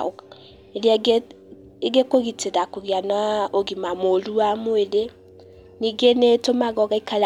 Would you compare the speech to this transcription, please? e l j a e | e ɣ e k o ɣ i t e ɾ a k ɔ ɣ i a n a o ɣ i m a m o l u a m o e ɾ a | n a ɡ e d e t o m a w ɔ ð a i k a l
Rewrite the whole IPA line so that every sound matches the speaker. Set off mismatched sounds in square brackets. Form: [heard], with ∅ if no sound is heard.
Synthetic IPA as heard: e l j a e | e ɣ e k o ɣ i t e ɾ a k [o] ɣ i a n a o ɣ i m a m o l u a m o e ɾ [e] | n [i] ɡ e [n] e t o m a [ɣ] ɔ [ɣ] a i k a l